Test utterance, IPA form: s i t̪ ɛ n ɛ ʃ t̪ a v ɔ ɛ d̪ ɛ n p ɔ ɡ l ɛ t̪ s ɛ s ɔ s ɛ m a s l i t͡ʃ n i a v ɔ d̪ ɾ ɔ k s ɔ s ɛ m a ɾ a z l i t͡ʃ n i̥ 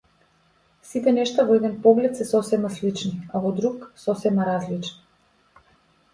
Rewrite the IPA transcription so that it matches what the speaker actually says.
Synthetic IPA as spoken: s i t̪ ɛ n ɛ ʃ t̪ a v ɔ ɛ d̪ ɛ n p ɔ ɡ l ɛ t̪ s ɛ s ɔ s ɛ m a s l i t͡ʃ n i a v ɔ d̪ ɾ u k s ɔ s ɛ m a ɾ a z l i t͡ʃ n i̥